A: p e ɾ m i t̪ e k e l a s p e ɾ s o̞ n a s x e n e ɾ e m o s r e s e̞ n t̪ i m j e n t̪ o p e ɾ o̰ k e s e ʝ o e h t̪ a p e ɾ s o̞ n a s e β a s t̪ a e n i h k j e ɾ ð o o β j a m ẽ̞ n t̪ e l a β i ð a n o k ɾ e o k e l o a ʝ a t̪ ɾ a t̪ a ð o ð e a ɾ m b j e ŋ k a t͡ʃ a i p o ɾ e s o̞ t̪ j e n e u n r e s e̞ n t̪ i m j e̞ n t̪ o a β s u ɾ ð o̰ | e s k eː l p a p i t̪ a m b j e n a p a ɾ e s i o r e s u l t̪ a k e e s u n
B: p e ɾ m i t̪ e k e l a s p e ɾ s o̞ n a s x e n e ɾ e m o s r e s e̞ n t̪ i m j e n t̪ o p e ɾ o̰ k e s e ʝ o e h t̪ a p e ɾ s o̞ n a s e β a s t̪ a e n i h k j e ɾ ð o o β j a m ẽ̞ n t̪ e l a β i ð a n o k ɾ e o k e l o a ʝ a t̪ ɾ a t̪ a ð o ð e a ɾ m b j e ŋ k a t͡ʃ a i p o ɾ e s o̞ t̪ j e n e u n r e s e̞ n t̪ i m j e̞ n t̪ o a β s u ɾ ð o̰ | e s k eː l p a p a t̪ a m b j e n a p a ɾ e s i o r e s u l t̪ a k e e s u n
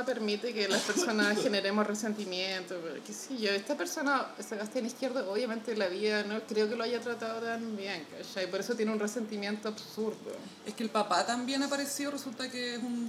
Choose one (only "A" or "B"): B